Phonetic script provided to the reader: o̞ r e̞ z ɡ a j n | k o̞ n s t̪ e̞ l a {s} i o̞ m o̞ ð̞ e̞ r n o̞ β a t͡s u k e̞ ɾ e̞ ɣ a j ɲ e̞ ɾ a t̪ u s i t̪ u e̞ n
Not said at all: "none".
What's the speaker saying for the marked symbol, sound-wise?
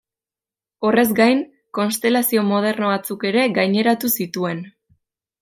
s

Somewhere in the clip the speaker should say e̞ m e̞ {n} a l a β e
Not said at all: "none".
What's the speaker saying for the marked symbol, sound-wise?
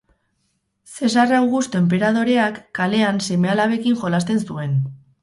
none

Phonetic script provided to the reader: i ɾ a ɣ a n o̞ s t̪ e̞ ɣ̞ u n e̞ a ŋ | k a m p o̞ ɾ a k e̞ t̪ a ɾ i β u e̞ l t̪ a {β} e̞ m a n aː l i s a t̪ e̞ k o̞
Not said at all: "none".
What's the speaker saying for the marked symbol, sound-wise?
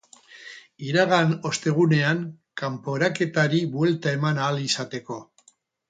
none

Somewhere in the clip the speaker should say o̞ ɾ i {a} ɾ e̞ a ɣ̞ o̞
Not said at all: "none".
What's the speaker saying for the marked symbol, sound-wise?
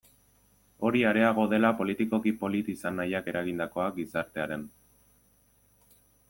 a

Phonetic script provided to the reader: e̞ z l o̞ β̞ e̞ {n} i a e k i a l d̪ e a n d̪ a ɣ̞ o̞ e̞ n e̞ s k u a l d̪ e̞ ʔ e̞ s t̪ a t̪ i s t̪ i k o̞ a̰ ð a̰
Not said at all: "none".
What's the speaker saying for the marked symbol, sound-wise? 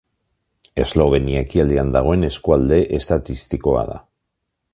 n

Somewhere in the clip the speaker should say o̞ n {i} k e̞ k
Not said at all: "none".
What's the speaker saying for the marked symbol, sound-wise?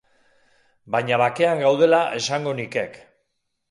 i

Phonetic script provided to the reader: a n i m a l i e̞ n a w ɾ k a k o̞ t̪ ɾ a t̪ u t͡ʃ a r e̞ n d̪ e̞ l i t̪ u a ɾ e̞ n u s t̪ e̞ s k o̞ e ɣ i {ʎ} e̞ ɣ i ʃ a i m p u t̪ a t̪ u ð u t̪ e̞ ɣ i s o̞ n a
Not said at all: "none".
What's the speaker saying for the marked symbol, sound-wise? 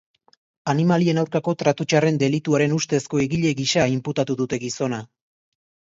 ʎ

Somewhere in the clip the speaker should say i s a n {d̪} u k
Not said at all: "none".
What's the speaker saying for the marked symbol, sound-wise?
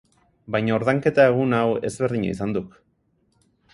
d̪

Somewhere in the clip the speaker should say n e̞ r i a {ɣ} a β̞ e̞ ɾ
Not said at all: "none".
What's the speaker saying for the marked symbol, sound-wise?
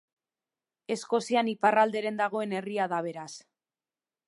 ð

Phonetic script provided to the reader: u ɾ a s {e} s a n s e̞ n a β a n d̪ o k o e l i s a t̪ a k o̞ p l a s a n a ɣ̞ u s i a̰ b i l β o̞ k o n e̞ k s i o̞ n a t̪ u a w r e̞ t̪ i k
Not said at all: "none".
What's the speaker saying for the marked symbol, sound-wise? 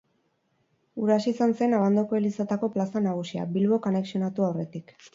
i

